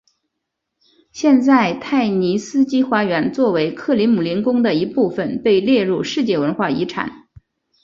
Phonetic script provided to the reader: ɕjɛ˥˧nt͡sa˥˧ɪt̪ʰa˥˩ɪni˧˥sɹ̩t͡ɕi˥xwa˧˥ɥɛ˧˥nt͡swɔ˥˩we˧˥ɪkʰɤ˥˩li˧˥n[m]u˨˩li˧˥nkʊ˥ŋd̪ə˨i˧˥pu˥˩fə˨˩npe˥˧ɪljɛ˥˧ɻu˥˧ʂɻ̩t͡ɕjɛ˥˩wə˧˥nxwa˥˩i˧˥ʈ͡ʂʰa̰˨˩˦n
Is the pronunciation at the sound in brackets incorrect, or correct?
correct